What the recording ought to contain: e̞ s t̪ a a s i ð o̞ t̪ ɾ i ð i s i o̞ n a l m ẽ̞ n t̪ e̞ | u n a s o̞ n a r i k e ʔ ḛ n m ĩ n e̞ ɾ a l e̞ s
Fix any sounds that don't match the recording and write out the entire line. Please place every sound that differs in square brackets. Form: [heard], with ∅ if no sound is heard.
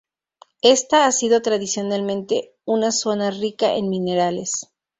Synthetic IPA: e̞ s t̪ a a s i ð o̞ t̪ ɾ [a] ð i s [j] o̞ n a l m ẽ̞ n t̪ e̞ | u n a s o̞ n a r i k [a] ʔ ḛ n m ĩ n e̞ ɾ a l e̞ s